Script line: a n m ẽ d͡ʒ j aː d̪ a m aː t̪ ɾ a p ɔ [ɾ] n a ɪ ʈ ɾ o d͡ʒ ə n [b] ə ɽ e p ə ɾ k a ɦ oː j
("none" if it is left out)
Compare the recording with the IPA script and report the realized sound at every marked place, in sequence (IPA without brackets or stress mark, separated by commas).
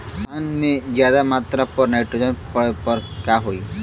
ɾ, p